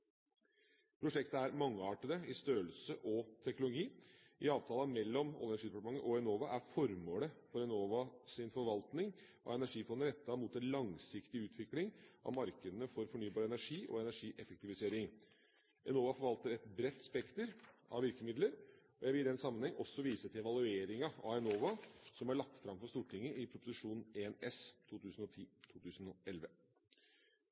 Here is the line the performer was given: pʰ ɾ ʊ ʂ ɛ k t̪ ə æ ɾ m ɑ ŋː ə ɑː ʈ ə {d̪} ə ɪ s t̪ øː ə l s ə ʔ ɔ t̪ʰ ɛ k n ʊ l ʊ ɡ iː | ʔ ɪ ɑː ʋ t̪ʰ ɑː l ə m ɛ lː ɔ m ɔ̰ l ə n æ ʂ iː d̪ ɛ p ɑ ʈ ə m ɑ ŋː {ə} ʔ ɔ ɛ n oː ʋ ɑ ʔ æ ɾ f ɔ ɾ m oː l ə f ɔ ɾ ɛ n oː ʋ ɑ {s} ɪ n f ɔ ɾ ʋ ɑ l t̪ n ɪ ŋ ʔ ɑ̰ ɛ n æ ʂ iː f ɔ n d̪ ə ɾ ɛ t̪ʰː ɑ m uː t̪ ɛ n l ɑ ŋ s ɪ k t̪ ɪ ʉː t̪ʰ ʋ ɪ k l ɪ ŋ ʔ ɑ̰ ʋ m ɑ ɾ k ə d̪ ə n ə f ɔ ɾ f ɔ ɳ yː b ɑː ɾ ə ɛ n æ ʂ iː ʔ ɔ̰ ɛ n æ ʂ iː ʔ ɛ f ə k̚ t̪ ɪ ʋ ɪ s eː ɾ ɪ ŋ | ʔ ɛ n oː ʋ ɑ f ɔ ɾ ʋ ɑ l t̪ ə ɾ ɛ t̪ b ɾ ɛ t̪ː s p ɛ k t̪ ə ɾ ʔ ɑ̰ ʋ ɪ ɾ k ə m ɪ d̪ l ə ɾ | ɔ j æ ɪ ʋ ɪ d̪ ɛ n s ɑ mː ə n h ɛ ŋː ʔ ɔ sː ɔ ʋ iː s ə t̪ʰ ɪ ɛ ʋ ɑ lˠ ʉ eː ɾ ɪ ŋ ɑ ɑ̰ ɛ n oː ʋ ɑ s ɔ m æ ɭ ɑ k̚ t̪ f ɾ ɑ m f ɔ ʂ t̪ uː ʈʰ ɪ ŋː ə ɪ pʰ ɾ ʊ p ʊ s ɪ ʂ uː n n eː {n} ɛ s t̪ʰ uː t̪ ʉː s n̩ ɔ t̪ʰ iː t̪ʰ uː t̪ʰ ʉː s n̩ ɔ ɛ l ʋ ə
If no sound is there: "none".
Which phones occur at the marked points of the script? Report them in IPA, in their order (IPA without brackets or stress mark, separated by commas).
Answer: d̪, ə, s, n